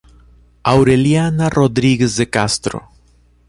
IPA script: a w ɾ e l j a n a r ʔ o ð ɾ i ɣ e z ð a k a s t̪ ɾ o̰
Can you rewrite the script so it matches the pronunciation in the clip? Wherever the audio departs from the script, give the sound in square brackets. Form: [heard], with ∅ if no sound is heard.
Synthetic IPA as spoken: a w ɾ e l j a n a r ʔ o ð ɾ i ɣ e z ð [e] k a s t̪ ɾ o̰